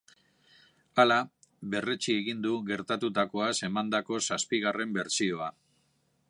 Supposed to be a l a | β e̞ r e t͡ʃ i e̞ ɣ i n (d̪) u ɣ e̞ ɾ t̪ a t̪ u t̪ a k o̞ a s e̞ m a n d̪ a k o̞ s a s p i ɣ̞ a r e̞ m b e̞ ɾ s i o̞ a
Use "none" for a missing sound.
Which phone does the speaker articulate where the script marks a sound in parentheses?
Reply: d̪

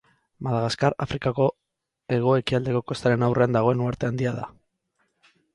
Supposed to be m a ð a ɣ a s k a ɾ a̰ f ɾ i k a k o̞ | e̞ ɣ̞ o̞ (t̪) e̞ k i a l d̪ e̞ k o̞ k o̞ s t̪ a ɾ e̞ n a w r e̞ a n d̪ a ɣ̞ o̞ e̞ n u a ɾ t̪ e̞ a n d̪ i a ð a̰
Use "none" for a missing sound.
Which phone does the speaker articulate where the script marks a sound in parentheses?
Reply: none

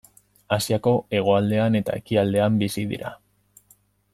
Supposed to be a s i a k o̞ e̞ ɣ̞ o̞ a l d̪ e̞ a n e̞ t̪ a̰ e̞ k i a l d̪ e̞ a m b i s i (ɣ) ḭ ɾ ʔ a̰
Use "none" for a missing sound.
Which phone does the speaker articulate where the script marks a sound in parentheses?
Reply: ð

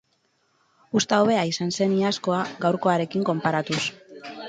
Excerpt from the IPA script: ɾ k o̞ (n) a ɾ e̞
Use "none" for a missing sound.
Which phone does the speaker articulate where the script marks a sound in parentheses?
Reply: none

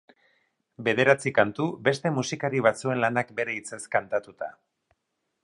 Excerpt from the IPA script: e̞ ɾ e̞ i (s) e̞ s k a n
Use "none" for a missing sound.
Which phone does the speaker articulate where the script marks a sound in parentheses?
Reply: t͡s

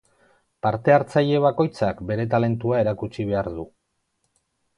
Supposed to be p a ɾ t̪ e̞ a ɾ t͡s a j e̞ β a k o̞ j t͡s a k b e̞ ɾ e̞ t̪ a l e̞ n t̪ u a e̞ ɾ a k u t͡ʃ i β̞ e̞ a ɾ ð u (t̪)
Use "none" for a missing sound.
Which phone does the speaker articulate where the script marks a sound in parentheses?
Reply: none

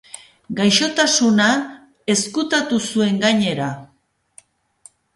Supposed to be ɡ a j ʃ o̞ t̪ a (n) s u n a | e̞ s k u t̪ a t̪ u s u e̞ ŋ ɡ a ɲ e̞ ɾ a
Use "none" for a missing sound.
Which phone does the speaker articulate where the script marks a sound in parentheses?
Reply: none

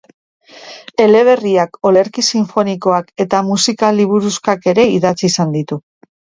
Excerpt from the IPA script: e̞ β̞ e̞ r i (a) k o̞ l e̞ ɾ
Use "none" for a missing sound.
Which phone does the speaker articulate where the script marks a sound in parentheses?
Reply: a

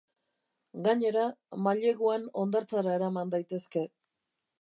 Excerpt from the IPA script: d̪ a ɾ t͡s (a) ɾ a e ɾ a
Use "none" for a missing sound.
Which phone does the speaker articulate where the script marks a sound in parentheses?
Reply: a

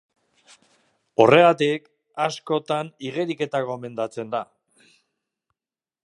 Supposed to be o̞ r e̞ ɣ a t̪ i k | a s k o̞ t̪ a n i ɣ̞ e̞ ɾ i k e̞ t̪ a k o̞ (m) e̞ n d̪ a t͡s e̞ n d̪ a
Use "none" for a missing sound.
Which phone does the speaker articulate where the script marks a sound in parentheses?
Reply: m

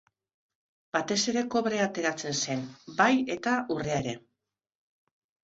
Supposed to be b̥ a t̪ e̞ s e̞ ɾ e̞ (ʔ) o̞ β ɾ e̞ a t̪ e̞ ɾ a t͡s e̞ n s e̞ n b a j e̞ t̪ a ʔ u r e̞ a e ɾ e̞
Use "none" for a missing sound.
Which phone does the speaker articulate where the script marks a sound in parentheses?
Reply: k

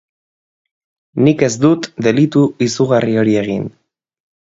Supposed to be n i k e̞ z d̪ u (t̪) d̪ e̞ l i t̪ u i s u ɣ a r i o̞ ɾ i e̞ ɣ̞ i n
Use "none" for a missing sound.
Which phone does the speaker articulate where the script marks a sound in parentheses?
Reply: t̪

